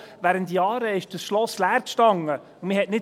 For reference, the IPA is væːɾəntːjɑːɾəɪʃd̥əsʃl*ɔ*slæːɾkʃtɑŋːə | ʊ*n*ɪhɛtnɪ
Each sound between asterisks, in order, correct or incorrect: correct, incorrect

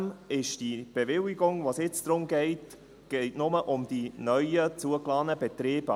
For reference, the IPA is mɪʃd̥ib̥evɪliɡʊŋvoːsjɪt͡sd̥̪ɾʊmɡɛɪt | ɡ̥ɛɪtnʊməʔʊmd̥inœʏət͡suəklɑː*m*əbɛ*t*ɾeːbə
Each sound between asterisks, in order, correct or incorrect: incorrect, correct

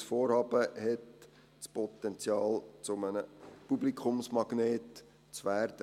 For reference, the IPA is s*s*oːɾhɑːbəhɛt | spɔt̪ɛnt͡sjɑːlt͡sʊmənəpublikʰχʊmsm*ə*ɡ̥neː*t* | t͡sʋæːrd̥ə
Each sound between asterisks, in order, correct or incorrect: incorrect, incorrect, correct

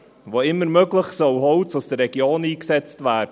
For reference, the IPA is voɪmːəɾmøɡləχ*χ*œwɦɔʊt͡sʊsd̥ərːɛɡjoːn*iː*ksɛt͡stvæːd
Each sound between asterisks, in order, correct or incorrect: incorrect, correct

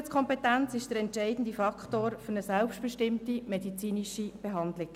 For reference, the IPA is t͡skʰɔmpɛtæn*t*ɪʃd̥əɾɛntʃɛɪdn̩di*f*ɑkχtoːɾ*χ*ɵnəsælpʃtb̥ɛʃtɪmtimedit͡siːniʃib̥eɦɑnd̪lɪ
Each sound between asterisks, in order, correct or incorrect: incorrect, correct, incorrect

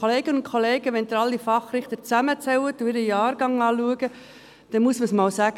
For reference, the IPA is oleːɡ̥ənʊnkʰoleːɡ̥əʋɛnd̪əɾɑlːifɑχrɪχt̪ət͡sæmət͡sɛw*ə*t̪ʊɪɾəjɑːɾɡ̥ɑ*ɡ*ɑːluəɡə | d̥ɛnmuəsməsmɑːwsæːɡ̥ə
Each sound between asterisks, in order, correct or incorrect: correct, incorrect

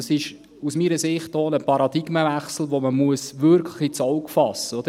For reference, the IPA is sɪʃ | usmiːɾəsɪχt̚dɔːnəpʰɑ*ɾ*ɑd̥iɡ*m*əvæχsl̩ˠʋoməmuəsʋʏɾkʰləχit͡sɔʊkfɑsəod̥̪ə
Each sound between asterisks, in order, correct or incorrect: correct, correct

